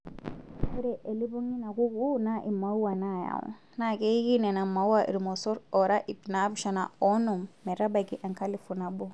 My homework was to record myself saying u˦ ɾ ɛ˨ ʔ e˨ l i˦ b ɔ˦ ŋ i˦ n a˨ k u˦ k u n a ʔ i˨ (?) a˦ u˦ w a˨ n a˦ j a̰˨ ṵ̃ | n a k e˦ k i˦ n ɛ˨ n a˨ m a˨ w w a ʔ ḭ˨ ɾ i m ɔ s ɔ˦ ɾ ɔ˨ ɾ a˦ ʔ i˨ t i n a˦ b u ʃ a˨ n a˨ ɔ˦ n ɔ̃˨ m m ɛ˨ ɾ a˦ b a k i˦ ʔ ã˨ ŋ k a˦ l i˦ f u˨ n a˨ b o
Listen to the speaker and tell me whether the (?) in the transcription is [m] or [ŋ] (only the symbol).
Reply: m